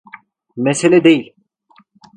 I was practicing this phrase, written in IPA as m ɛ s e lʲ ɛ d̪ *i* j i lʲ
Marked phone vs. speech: incorrect: e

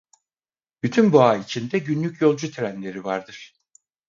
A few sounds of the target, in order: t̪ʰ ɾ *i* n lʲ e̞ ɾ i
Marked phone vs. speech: incorrect: æ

